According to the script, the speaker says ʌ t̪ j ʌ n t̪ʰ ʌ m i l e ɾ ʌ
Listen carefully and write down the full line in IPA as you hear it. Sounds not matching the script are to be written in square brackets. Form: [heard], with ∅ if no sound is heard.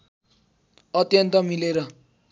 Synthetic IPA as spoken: ʌ t̪ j ʌ n [t̪] ʌ m i l e ɾ ʌ